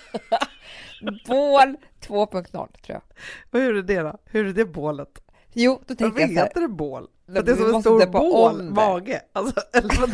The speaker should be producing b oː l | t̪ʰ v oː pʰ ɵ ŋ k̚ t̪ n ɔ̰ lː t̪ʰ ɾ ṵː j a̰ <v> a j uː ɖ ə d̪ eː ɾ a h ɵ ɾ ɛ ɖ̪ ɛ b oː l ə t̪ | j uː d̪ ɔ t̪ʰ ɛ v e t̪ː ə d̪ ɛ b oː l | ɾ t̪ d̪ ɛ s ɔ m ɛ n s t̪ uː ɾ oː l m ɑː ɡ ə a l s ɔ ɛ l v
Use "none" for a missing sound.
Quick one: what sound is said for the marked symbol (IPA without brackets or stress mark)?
v